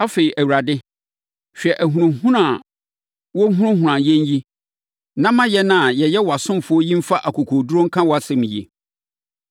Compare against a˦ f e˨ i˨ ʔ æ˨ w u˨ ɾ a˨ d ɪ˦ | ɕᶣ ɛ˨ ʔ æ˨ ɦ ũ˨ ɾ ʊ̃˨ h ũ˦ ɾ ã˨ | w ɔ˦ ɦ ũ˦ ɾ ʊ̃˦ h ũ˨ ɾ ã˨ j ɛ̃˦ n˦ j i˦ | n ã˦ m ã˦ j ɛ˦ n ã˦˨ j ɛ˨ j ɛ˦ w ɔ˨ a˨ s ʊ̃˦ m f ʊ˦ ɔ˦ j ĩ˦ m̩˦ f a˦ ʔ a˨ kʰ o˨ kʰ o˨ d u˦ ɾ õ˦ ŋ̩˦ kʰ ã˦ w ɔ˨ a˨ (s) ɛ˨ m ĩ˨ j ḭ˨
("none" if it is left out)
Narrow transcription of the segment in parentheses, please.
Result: s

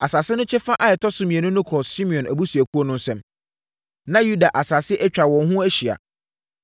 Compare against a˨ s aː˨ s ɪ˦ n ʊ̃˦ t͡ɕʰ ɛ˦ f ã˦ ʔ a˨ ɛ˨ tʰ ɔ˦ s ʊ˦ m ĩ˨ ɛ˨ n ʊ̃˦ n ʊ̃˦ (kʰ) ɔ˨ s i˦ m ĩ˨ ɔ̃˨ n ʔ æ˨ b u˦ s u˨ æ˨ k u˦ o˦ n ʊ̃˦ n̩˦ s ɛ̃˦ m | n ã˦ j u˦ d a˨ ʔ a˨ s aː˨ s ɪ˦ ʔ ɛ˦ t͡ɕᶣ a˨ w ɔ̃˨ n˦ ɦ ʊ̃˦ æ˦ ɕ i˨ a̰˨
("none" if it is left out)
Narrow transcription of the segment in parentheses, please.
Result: kʰ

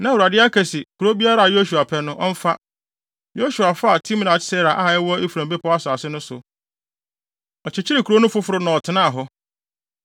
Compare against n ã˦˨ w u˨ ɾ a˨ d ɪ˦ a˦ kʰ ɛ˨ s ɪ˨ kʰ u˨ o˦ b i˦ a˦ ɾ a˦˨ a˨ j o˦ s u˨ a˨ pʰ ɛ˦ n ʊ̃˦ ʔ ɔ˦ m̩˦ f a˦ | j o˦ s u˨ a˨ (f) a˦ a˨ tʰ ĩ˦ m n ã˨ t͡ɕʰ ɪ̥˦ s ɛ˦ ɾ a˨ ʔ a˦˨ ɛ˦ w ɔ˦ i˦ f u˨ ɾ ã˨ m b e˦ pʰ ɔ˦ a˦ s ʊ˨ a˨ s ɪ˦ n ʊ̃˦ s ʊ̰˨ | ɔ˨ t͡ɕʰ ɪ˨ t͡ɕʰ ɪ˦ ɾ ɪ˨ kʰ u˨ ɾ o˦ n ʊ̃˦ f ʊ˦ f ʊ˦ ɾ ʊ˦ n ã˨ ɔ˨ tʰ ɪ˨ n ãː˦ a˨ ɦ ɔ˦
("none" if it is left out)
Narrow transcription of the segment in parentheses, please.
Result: f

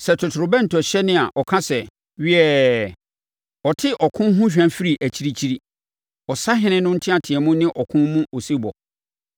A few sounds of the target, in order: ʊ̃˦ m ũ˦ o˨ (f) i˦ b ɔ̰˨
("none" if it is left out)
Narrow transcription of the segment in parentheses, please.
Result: s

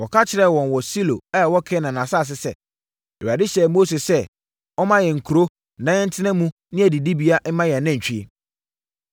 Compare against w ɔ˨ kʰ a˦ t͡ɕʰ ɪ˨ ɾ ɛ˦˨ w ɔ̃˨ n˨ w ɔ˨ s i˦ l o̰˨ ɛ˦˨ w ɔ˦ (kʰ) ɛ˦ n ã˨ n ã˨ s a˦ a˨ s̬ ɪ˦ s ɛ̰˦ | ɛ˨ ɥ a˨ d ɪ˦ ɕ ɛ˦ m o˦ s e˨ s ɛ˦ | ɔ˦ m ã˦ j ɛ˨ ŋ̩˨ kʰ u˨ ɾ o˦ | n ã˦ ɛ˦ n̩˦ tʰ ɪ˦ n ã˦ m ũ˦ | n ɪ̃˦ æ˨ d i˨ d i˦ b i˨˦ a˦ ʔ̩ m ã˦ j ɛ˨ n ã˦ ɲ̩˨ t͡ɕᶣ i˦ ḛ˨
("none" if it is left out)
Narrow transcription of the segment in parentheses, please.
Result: kʰ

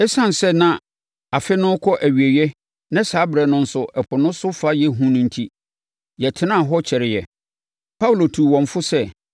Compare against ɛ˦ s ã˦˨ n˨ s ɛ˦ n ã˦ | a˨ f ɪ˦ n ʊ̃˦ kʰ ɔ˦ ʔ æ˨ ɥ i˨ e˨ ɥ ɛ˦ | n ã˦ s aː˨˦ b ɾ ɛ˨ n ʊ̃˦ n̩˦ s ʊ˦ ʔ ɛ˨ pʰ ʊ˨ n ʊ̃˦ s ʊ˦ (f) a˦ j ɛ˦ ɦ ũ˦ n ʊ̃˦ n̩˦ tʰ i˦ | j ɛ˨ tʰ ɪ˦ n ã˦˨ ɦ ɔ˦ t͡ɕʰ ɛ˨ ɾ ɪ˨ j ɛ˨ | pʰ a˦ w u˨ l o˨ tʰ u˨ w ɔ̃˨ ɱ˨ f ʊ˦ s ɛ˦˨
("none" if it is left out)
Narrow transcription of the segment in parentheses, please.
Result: f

